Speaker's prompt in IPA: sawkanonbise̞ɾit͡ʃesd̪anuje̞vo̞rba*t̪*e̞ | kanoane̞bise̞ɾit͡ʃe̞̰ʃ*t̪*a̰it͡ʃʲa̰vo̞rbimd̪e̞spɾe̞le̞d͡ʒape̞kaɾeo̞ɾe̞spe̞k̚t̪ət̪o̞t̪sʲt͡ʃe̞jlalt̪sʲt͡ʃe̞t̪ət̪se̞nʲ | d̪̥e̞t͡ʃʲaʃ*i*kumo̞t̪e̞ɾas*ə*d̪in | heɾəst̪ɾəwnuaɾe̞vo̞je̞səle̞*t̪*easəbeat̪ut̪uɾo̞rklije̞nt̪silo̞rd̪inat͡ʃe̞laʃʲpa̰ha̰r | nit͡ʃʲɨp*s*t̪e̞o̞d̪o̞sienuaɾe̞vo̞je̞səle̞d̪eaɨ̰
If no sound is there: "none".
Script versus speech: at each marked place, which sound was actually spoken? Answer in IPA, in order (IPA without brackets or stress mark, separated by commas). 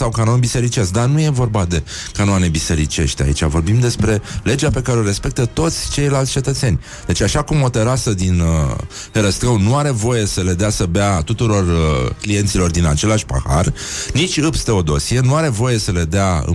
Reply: d̪, t̪, a, ə, d̪, s